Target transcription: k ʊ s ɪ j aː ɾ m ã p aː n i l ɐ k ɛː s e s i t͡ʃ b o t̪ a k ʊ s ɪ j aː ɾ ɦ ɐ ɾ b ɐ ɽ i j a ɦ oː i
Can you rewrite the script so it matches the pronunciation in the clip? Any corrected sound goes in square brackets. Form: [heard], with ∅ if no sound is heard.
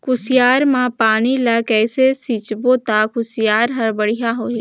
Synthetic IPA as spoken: k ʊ s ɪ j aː ɾ m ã p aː n i l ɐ k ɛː s e s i t͡ʃ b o t̪ a k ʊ s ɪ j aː ɾ ɦ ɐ ɾ b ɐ ɽ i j a ɦ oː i